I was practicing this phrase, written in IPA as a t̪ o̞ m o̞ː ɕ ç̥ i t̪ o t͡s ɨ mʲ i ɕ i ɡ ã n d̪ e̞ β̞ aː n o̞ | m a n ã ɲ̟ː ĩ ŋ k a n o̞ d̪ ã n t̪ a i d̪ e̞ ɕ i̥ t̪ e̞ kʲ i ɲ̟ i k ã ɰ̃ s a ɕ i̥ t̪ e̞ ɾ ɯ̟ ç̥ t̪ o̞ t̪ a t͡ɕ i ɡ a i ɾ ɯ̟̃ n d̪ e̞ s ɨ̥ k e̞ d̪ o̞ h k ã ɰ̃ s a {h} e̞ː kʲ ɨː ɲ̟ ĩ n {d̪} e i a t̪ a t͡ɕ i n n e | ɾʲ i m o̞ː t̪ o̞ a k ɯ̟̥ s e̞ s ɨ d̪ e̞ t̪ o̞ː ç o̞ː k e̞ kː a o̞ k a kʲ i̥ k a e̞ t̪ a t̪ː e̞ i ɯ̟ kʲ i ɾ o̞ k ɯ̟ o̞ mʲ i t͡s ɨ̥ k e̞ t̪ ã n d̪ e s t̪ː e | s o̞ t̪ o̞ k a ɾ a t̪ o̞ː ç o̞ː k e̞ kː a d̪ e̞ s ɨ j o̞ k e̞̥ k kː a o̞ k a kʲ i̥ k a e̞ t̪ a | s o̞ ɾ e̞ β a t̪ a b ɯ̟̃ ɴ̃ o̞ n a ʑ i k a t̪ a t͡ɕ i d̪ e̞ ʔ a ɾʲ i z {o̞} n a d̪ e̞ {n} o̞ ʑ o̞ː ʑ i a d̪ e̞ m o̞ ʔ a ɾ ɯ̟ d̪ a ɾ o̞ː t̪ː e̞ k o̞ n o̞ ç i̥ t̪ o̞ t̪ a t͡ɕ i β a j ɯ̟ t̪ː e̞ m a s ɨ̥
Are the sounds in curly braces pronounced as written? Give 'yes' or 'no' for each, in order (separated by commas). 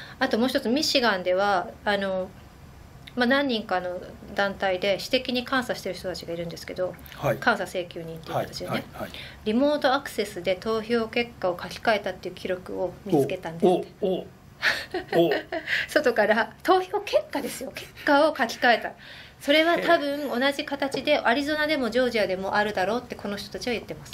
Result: no, no, yes, no